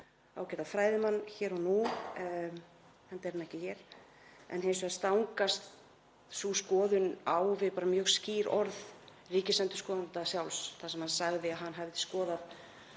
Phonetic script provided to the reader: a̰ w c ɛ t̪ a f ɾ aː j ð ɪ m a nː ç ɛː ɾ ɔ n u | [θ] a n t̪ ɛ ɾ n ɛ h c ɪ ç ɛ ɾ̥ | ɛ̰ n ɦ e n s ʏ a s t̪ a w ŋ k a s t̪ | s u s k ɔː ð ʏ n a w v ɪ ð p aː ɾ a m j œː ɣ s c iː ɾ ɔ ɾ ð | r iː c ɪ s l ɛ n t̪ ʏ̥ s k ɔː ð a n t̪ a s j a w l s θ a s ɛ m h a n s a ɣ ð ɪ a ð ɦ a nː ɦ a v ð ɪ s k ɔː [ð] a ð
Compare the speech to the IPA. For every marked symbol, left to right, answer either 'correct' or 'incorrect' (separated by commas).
incorrect, correct